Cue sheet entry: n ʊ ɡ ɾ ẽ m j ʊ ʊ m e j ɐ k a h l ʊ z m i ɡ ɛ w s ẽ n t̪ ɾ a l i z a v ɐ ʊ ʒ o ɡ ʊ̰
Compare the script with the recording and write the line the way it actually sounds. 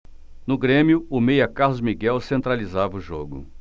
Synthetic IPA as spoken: n ʊ ɡ ɾ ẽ m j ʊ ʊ m e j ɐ k a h l ʊ z m i ɡ ɛ w s ẽ n t̪ ɾ a l i z a v ɐ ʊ ʒ o ɡ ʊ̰